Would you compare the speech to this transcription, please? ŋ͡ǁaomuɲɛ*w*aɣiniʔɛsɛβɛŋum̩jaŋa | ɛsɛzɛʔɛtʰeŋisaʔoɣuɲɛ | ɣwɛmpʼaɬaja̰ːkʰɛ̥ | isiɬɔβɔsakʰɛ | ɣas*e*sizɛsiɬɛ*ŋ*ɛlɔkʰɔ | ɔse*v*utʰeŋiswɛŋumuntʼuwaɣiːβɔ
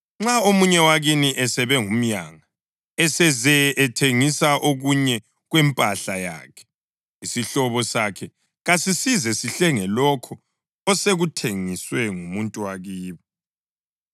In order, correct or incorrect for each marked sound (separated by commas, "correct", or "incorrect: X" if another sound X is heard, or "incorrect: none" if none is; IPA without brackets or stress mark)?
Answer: correct, incorrect: i, correct, incorrect: ɣ